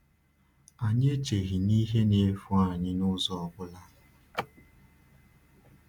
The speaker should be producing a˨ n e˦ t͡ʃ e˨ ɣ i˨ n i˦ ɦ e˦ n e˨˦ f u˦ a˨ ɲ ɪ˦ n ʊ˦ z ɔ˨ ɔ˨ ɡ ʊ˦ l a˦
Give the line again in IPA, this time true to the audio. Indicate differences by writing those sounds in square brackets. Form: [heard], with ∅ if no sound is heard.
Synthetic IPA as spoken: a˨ [ɲ] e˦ t͡ʃ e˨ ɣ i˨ n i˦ ɦ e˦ n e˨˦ f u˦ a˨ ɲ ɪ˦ n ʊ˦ z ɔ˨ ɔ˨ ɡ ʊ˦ l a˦